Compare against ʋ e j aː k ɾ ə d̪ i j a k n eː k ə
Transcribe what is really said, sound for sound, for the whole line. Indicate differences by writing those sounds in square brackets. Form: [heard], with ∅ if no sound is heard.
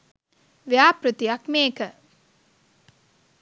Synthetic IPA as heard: ʋ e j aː [p] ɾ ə [t̪] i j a k [m] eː k ə